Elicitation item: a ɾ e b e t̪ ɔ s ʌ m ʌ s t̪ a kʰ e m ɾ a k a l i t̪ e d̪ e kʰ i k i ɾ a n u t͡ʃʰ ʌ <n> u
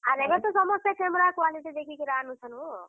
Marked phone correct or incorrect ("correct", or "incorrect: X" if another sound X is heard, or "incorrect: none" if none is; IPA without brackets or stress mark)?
correct